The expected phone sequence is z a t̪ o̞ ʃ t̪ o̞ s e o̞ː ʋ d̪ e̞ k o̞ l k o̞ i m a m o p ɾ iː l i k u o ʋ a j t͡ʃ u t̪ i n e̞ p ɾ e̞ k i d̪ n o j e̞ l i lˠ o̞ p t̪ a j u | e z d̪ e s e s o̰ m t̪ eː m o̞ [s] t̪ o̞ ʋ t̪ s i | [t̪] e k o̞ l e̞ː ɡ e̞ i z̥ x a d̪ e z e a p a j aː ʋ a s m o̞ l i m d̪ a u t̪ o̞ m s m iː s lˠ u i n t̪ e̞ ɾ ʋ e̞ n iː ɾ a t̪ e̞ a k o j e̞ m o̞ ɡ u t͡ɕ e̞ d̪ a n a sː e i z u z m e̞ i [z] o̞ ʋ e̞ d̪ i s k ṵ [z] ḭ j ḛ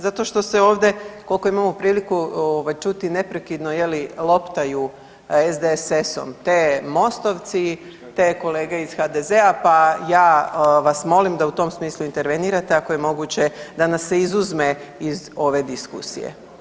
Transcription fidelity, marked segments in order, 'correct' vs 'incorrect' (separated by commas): correct, correct, correct, incorrect